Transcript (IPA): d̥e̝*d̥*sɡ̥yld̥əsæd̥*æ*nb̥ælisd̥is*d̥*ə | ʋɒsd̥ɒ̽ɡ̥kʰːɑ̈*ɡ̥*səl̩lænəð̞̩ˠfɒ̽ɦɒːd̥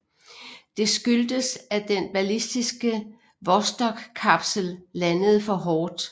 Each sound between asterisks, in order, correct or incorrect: incorrect, incorrect, incorrect, incorrect

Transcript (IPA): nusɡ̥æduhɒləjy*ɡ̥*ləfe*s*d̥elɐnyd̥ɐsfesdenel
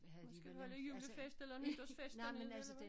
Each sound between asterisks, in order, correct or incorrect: incorrect, correct

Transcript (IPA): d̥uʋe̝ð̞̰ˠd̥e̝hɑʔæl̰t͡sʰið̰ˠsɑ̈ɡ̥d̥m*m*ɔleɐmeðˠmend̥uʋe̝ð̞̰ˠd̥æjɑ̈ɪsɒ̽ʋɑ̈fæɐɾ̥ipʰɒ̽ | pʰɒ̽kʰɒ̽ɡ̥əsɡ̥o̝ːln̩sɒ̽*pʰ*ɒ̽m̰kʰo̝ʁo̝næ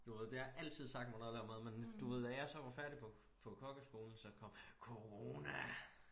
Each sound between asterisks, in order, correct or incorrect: incorrect, incorrect

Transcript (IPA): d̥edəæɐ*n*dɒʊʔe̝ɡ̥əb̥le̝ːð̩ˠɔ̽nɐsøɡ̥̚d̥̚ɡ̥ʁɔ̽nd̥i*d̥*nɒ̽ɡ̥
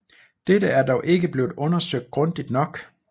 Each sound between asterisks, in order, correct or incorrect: incorrect, correct

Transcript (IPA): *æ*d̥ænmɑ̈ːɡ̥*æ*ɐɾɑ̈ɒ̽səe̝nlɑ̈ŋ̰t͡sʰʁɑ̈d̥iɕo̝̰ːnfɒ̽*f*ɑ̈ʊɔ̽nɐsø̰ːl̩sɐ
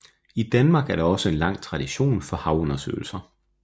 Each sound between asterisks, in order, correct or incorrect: incorrect, correct, incorrect

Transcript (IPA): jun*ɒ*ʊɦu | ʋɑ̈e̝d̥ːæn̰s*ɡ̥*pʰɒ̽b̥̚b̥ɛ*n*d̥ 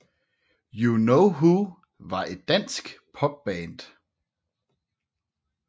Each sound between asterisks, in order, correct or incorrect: incorrect, correct, correct

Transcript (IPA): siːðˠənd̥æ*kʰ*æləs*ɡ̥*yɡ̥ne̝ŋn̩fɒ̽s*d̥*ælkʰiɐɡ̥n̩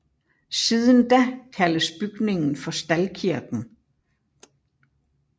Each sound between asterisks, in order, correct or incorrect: correct, incorrect, correct

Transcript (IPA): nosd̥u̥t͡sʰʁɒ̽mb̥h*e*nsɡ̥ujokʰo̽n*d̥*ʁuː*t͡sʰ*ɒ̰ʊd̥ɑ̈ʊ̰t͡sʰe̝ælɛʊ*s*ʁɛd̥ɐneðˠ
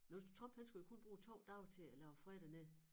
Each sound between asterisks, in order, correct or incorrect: incorrect, incorrect, correct, incorrect

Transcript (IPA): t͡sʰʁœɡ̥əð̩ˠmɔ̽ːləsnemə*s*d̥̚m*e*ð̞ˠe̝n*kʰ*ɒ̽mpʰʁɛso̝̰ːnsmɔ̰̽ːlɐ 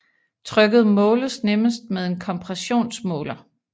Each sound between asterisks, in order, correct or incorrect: correct, correct, correct

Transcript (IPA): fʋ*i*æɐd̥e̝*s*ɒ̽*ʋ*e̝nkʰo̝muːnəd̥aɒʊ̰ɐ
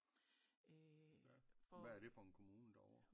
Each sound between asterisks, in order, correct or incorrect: incorrect, incorrect, incorrect

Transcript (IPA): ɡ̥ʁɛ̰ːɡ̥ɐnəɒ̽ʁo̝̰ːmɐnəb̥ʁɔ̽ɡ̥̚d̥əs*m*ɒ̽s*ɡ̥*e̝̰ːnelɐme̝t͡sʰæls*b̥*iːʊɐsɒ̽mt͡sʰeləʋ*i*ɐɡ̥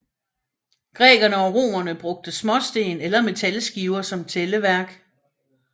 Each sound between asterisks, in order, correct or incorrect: correct, incorrect, incorrect, incorrect

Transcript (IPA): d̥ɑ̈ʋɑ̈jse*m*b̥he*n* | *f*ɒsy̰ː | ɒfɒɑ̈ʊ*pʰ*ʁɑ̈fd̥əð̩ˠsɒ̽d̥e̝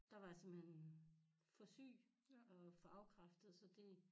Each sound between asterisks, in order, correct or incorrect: correct, correct, correct, incorrect

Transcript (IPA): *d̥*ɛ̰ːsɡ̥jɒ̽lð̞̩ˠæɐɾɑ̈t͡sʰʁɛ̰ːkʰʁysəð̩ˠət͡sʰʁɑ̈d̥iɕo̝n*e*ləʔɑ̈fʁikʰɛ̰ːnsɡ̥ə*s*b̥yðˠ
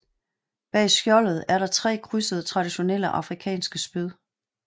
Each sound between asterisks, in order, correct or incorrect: incorrect, correct, correct

